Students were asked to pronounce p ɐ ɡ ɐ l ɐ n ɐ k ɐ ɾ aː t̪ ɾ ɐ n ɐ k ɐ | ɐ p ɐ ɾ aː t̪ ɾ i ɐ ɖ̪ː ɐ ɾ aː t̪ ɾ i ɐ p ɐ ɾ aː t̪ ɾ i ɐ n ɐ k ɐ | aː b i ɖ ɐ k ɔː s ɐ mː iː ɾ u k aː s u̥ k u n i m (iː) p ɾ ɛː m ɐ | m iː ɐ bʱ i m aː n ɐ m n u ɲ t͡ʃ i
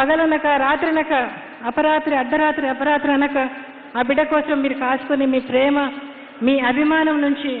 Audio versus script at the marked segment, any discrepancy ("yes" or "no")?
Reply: no